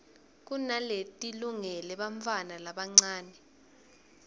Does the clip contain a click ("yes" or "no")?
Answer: yes